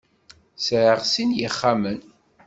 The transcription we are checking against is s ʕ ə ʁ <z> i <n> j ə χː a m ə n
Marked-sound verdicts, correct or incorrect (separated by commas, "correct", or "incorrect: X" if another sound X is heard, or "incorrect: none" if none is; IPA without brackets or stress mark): incorrect: s, correct